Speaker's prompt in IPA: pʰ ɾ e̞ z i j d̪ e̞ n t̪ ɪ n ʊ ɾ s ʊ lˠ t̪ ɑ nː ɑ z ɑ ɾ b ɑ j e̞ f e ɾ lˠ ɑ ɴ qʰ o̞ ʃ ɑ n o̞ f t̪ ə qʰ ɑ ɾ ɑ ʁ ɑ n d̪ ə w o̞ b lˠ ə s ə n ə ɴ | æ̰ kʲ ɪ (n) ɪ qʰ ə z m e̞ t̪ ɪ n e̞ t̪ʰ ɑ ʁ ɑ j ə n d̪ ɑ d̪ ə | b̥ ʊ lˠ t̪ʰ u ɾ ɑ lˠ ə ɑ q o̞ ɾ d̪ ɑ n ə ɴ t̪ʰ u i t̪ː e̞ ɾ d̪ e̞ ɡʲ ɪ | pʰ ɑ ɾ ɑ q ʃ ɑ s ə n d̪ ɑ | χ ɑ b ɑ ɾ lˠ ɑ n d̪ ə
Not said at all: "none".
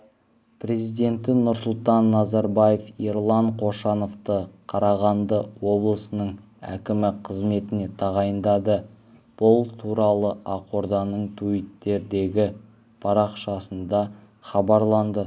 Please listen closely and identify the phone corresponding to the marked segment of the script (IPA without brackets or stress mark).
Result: m